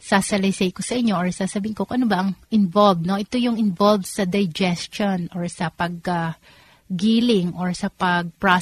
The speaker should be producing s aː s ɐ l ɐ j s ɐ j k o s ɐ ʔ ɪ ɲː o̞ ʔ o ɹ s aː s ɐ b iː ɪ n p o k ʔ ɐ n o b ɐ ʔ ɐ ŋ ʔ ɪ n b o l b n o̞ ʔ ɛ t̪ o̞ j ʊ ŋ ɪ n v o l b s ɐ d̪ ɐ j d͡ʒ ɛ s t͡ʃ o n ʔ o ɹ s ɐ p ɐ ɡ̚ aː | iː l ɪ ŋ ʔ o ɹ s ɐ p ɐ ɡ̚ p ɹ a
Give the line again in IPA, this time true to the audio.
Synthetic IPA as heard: s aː s ɐ l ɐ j s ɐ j k o s ɐ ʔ ɪ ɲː o̞ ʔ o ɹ s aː s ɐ b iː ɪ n k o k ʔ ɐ n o b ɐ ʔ ɐ ŋ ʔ ɪ n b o l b n o̞ ʔ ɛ t̪ o̞ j ʊ ŋ ɪ n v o l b s ɐ d̪ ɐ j d͡ʒ ɛ s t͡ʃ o n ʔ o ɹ s ɐ p ɐ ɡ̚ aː | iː l ɪ ŋ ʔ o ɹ s ɐ p ɐ ɡ̚ p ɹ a